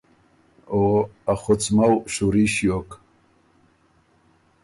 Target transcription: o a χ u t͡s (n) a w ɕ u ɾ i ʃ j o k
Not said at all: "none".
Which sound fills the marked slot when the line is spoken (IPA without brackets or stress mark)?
m